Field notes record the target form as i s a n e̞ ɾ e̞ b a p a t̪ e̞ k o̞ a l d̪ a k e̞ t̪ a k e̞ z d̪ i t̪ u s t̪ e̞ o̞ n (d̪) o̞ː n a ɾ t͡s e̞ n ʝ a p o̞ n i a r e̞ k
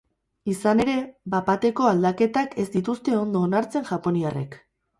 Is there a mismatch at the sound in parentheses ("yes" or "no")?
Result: no